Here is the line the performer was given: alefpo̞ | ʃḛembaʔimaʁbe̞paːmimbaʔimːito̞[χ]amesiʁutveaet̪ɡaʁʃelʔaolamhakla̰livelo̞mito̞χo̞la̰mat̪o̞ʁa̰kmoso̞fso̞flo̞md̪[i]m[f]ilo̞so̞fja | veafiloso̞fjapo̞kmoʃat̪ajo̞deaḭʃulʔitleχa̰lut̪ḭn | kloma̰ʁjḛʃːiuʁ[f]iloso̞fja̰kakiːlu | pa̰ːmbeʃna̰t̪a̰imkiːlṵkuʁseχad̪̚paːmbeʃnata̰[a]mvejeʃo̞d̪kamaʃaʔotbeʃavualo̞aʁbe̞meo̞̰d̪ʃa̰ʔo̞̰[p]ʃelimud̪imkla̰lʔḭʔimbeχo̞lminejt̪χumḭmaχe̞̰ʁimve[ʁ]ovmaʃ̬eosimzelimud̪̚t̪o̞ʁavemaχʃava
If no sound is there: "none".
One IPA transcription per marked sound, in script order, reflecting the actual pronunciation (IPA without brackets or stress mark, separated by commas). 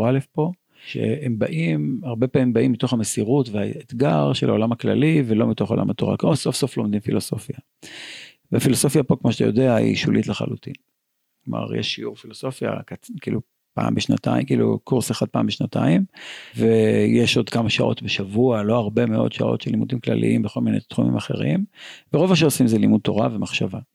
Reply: χ, i, f, f, i, t, ʁ